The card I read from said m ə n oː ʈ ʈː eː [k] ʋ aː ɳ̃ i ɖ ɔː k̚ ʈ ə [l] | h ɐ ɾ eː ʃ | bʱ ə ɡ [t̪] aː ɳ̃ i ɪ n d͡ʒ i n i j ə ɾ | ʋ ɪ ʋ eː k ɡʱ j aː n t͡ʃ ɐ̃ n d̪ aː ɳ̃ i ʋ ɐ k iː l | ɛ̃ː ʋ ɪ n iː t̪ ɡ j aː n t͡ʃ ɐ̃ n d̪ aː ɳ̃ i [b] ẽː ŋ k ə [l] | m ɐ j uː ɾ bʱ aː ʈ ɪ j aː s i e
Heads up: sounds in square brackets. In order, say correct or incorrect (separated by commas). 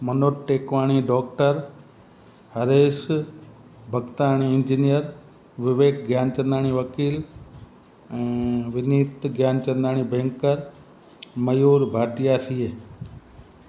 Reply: correct, incorrect, correct, correct, incorrect